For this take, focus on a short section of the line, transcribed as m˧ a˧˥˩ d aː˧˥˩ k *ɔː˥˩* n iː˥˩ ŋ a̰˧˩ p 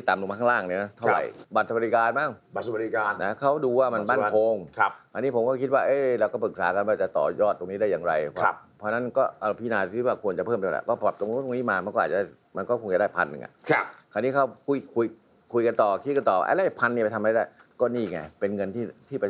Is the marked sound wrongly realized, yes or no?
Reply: no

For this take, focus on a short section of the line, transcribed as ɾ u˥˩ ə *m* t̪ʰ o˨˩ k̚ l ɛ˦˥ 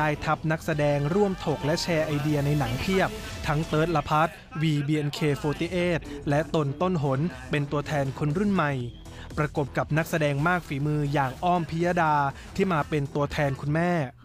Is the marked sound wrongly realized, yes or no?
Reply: no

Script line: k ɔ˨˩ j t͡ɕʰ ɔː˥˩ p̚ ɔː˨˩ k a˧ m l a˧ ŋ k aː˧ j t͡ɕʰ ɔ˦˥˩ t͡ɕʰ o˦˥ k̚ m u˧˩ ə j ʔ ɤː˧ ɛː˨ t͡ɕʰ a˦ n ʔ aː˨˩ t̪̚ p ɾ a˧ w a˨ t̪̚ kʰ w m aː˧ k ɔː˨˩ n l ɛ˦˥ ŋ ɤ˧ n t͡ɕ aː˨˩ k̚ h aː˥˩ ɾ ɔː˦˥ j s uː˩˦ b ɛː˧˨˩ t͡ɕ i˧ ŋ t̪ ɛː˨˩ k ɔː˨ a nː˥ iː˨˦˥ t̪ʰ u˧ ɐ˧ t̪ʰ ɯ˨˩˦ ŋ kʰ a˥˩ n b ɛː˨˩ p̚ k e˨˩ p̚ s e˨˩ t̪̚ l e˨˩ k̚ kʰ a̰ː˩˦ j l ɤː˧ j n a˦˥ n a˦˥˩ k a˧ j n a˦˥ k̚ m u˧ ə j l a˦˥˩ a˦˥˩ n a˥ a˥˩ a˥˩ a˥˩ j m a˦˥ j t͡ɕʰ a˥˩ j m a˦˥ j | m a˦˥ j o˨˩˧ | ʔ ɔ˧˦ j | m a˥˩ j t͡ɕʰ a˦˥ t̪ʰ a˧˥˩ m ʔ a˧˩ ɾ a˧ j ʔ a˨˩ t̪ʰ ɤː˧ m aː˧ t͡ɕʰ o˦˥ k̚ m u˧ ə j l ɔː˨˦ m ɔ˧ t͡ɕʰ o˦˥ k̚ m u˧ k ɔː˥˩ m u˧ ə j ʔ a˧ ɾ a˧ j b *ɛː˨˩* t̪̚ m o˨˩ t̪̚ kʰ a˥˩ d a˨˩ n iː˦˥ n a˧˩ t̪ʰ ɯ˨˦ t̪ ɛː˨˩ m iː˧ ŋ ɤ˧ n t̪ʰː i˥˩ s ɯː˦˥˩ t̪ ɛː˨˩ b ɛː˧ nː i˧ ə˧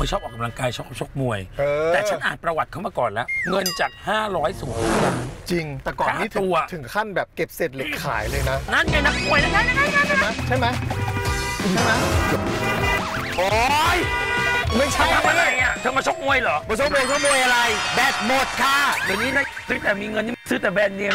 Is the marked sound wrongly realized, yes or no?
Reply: no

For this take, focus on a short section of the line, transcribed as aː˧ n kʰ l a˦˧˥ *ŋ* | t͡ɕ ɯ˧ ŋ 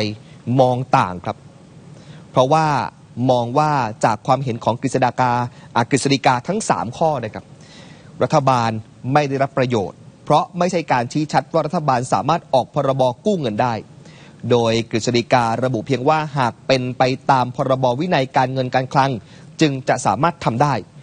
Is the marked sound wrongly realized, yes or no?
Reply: no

